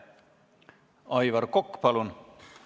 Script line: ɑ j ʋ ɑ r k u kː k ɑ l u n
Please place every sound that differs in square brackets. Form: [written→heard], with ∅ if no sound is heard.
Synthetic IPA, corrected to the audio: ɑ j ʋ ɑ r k [u→o] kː [k→p] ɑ l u n